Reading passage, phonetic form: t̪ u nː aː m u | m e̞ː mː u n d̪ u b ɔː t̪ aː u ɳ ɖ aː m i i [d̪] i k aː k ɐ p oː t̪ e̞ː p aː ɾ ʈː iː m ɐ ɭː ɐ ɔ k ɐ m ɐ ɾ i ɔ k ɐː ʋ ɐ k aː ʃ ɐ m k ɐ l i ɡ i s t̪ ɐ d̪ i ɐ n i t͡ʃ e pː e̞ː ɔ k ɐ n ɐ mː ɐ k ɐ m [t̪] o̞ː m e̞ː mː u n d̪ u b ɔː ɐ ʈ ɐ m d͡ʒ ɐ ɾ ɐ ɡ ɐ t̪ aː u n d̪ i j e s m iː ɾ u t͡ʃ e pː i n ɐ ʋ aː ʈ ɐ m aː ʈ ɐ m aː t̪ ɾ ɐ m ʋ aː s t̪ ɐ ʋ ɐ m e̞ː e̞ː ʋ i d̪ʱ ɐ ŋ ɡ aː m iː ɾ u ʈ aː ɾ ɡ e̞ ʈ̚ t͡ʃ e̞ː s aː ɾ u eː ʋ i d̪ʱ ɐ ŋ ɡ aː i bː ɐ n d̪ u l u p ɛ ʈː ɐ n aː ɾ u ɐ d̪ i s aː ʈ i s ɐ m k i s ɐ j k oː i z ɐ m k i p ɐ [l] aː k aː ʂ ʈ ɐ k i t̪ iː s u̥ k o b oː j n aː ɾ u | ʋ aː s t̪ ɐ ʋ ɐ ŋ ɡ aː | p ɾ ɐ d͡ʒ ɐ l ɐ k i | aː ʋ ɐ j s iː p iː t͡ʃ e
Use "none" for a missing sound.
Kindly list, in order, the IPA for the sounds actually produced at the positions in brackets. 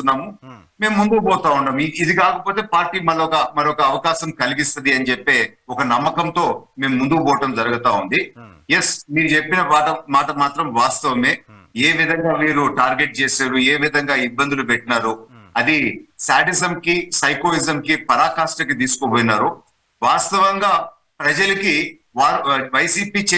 d̪, t̪, ɾ

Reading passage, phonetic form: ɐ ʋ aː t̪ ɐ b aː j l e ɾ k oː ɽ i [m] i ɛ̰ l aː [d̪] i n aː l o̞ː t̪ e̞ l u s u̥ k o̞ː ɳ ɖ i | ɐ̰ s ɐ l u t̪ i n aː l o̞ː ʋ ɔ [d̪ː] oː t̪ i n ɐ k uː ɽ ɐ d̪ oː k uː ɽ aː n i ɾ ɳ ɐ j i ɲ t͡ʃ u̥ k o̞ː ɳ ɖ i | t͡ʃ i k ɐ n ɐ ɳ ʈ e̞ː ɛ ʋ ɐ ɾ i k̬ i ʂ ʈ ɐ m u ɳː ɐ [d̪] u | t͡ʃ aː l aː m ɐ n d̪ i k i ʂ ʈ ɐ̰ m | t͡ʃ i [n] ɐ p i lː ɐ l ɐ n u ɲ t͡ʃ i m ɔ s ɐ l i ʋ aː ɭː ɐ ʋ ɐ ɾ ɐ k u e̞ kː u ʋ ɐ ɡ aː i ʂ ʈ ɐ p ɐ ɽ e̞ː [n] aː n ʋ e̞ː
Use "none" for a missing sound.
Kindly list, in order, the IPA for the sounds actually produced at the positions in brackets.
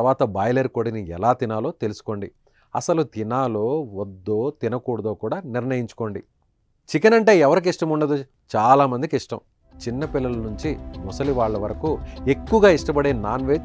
n, t̪, d̪ː, d̪, nː, n

